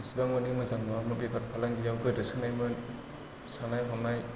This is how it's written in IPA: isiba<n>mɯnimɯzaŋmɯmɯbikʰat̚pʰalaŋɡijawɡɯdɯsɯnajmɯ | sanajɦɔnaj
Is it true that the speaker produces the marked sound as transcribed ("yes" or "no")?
no